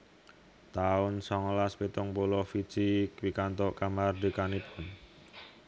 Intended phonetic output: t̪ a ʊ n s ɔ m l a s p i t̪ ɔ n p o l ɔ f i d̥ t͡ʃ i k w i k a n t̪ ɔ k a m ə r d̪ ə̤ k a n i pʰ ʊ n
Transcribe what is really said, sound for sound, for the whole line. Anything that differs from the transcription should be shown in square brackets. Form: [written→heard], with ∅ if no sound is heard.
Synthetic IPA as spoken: t̪ a ʊ n s ɔ [m→ŋ] l a s p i t̪ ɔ [n→ŋ] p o l ɔ f i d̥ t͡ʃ i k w i k a n t̪ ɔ k a m [ə→a] r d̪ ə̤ k a n i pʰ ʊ n